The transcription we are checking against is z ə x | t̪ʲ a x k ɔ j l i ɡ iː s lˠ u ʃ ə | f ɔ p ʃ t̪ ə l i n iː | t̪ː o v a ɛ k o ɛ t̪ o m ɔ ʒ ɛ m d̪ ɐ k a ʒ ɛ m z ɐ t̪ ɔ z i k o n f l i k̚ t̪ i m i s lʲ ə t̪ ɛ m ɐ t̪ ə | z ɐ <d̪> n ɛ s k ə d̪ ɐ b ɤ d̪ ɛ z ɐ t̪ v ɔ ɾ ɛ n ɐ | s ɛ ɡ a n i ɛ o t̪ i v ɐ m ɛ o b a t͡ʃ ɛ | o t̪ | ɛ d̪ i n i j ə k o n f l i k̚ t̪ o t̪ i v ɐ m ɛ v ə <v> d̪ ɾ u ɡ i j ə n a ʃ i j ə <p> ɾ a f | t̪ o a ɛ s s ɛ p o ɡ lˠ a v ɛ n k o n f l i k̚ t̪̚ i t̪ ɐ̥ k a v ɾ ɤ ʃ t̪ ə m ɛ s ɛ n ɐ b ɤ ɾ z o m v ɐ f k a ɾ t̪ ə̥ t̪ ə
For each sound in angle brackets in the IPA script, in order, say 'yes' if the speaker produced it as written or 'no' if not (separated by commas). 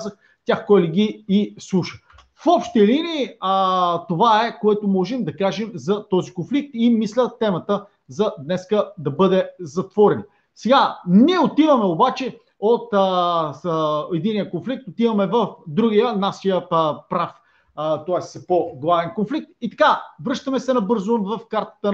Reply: yes, no, yes